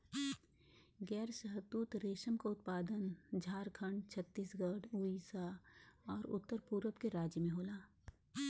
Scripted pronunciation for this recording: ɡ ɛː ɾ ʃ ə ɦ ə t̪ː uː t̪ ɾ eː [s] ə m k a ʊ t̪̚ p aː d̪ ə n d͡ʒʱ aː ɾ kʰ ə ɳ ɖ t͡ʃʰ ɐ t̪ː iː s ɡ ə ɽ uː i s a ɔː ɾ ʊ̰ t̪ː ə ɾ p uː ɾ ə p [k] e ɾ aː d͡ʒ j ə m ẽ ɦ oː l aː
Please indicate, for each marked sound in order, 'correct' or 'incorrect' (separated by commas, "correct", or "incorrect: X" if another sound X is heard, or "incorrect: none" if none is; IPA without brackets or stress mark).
incorrect: ʃ, correct